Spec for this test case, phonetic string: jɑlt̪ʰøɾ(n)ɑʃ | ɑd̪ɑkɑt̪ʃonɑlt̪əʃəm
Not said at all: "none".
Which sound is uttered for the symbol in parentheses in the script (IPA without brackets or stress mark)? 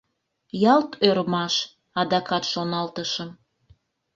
m